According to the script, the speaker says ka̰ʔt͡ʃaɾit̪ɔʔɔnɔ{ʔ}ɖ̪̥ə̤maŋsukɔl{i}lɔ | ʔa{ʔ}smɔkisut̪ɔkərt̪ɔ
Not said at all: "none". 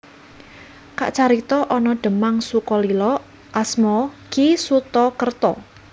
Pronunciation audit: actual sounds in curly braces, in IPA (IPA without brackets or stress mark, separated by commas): none, i, none